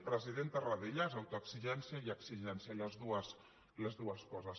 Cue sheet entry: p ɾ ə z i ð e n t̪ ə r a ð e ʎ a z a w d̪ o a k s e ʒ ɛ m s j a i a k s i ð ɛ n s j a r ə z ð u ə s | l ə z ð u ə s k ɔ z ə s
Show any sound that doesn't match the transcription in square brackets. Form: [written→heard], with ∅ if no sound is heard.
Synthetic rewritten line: p ɾ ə z i ð e n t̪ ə r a ð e ʎ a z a w [d̪→t̪] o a k s [e→i] ʒ ɛ [m→n] s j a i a k s i [ð→ʒ] ɛ n s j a [r→l] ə z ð u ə s | l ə z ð u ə s k ɔ z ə s